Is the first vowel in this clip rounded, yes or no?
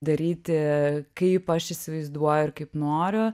no